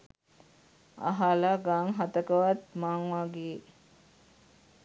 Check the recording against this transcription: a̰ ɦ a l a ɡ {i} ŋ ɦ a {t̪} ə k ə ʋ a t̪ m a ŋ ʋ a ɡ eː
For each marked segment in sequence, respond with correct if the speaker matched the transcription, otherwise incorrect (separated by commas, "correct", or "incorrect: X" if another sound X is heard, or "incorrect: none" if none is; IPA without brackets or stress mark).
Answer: incorrect: a, correct